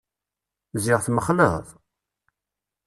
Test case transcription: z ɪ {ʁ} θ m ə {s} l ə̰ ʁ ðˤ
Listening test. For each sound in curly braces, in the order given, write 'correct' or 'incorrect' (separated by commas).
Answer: correct, incorrect